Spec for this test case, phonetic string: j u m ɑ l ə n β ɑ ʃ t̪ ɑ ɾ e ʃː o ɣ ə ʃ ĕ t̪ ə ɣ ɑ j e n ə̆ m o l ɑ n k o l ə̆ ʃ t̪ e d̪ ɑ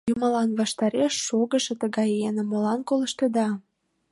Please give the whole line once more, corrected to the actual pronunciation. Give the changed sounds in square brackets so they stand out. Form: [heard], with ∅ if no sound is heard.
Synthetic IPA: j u m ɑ l [ɑ] n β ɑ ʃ t̪ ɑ ɾ e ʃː o ɣ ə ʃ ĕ t̪ ə ɣ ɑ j e n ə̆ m o l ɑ n k o l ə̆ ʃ t̪ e d̪ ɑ